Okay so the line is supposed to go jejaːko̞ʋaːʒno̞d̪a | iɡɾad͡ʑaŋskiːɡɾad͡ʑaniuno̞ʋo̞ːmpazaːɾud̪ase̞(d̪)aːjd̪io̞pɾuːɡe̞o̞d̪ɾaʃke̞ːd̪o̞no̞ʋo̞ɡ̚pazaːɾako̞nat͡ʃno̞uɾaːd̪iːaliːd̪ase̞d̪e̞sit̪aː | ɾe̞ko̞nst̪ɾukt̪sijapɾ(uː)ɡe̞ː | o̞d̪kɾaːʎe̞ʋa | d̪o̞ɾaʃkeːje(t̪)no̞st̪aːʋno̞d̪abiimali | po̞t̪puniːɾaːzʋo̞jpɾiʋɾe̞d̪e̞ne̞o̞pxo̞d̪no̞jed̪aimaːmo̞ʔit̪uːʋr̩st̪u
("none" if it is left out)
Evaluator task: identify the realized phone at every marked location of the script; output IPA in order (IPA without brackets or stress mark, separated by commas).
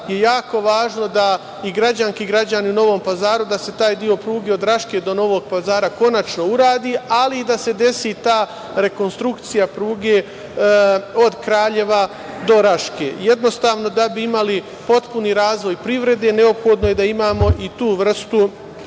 t̪, uː, d̪